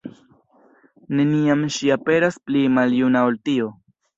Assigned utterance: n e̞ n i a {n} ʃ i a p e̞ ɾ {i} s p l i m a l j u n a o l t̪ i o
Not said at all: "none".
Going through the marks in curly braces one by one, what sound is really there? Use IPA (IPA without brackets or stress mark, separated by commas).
m, a